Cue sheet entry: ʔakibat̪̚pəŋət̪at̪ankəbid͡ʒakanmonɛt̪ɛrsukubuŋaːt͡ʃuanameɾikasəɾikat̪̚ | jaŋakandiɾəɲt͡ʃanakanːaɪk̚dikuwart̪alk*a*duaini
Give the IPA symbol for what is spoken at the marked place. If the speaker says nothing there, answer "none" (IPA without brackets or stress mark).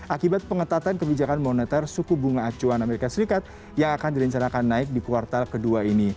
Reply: ə